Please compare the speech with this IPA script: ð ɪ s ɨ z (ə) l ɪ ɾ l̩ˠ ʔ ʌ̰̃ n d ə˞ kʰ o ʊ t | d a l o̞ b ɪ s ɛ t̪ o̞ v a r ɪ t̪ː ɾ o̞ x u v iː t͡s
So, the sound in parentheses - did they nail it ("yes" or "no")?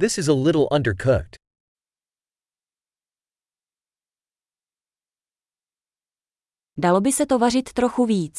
yes